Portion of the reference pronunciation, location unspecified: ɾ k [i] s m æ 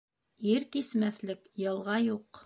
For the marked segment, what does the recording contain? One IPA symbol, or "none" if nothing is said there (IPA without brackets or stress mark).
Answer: i